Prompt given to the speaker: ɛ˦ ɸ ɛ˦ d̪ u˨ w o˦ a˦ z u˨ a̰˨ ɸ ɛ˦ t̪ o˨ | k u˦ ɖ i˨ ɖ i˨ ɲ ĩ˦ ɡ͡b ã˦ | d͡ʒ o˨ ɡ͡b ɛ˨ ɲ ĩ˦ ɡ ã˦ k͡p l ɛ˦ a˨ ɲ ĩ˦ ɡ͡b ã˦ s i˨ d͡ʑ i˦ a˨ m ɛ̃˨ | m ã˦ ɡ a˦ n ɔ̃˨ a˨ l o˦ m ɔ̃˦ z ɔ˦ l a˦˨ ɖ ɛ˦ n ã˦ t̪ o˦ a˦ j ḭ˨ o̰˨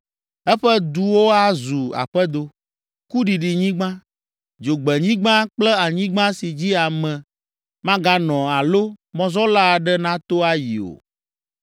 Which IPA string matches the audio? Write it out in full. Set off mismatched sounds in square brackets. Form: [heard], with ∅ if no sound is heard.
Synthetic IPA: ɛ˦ ɸ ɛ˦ d̪ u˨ w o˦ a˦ z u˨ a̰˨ ɸ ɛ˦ [d̪] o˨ | k u˦ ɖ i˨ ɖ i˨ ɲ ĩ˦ ɡ͡b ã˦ | d͡ʒ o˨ ɡ͡b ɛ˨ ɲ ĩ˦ [ɡ͡b] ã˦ k͡p l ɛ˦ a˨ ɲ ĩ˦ ɡ͡b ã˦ s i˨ d͡ʑ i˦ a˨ m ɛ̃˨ | m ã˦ ɡ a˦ n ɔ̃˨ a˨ l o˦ m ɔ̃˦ z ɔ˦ l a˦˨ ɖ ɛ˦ n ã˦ t̪ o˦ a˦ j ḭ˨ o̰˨